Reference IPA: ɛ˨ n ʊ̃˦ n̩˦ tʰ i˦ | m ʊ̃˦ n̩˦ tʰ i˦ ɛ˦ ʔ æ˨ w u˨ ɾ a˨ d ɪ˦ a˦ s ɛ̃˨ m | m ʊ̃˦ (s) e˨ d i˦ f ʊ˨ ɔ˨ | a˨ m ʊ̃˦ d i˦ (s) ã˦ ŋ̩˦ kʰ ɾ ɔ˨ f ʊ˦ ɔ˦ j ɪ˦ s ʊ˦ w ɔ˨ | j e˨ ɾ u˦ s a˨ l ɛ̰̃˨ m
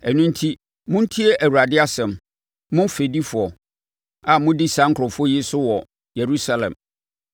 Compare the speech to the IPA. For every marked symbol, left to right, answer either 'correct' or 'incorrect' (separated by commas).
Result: incorrect, correct